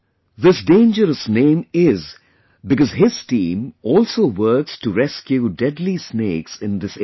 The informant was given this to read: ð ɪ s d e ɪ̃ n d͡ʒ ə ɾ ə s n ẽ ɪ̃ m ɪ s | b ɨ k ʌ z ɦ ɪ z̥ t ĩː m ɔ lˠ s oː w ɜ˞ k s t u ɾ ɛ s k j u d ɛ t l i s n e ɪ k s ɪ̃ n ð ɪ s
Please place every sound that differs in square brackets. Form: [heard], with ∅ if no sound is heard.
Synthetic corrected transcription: ð ɪ s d [ẽ] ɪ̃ n d͡ʒ ə ɾ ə s n ẽ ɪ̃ m ɪ [z] | b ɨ k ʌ z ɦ ɪ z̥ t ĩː m ɔ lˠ s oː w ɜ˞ k s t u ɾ ɛ s k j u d ɛ [d] l i s n e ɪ k s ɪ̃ n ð ɪ s